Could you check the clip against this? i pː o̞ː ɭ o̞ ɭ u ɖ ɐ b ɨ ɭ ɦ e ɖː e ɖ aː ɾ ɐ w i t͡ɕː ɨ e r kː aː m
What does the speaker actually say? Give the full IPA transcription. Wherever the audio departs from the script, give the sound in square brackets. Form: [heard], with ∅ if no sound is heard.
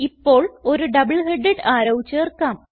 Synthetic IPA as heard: i pː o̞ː ɭ o̞ [ɾ] u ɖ ɐ b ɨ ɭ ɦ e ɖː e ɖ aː ɾ ɐ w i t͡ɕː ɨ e r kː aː m